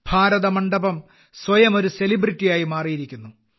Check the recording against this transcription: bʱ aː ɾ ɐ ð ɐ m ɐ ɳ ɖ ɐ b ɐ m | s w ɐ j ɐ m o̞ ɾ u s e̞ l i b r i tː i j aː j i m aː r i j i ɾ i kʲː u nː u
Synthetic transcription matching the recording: bʱ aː ɾ ɐ ð ɐ m ɐ ɳ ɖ ɐ b ɐ m | s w ɐ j ɐ m o̞ ɾ u s e̞ l i b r i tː i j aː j i m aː r i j i ɾ i kʲː u nː u